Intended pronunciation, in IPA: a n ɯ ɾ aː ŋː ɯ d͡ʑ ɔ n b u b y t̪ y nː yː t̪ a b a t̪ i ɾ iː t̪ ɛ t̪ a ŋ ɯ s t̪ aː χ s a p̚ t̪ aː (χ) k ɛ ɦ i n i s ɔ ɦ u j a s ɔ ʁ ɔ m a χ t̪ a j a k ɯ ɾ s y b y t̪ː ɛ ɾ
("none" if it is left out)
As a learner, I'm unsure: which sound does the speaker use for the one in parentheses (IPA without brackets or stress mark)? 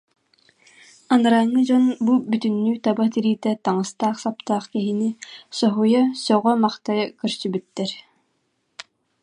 χ